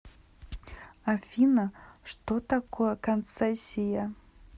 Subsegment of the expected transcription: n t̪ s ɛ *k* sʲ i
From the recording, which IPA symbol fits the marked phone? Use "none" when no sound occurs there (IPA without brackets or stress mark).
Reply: none